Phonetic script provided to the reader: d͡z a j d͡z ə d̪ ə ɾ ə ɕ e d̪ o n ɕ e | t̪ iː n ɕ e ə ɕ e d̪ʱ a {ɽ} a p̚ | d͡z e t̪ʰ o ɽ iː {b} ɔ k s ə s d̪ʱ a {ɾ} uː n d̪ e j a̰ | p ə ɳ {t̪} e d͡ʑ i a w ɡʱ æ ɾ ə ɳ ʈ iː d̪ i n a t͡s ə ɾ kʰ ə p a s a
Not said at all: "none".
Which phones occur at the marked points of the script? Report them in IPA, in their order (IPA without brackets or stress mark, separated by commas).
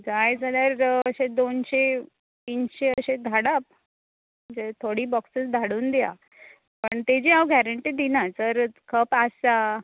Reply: ɽ, b, ɽ, t̪